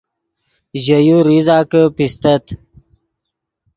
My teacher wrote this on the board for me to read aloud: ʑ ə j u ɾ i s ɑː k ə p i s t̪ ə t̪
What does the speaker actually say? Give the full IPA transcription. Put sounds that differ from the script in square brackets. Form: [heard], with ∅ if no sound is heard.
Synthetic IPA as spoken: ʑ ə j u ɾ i [z] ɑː k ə p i s t̪ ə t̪